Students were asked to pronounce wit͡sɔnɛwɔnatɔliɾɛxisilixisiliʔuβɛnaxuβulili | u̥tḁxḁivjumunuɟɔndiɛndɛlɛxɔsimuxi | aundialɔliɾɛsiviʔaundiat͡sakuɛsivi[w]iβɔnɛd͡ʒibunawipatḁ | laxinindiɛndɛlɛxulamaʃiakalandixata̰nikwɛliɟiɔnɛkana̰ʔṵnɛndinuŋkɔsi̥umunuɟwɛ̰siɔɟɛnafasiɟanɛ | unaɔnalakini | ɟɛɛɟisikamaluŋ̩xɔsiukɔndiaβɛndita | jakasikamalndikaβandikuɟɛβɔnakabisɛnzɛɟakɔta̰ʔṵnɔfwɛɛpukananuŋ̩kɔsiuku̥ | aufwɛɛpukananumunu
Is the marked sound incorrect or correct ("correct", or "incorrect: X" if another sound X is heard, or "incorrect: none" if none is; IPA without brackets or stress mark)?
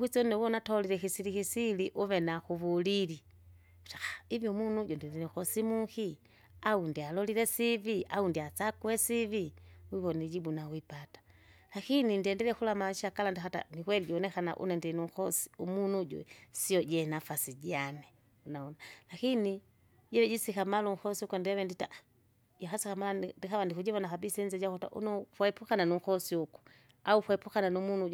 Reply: correct